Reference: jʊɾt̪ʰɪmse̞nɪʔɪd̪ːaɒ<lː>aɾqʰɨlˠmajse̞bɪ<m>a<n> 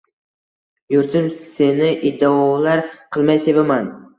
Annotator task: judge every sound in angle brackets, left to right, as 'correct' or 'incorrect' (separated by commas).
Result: incorrect, correct, correct